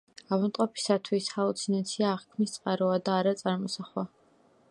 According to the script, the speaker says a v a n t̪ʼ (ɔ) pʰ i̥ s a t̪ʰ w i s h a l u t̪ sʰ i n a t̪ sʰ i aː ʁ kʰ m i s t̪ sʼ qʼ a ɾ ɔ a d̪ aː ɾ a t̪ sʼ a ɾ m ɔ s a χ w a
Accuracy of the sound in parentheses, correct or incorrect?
correct